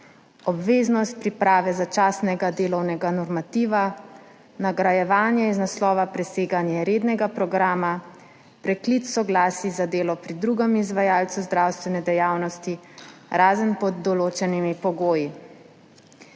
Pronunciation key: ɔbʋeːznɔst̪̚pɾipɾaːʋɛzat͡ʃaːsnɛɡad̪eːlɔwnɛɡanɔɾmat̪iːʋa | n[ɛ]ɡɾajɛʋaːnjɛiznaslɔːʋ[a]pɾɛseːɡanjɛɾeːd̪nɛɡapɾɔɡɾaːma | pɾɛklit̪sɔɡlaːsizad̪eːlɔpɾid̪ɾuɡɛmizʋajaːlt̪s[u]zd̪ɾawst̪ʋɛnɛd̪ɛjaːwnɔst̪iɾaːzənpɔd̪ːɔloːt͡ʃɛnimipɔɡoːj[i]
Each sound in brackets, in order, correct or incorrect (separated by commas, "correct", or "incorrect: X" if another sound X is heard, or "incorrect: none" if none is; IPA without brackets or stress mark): incorrect: a, correct, correct, correct